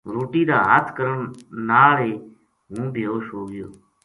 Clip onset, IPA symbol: ɾ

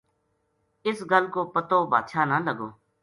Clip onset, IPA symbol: ɪ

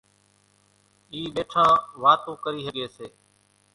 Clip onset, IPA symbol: iː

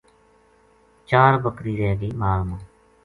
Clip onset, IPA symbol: t͡ʃ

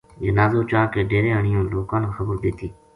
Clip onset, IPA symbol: d͡ʒ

